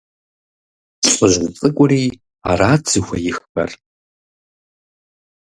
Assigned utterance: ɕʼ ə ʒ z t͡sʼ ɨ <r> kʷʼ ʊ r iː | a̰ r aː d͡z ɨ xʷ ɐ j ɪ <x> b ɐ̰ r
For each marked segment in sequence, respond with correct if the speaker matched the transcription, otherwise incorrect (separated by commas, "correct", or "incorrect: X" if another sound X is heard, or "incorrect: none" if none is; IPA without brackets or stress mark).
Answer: incorrect: none, correct